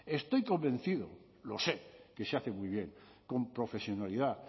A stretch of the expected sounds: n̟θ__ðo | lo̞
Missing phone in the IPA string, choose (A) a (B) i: B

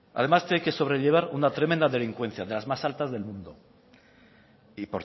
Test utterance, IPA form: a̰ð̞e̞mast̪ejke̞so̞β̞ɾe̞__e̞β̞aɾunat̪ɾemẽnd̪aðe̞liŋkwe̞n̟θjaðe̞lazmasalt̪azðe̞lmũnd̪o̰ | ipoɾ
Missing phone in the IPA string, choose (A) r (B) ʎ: B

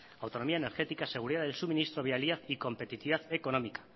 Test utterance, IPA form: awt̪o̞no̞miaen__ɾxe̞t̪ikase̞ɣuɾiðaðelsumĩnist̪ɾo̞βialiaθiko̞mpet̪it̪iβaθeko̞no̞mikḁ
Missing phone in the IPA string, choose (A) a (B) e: B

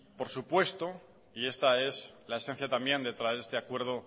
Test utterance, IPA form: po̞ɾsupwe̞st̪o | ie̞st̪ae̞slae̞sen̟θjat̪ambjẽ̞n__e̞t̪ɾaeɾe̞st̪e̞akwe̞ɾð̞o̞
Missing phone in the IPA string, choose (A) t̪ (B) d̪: B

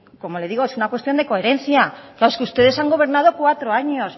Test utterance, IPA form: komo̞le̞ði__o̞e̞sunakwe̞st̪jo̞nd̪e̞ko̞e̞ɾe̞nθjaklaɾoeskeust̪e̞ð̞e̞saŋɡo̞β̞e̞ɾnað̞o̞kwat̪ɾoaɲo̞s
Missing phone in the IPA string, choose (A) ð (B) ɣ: B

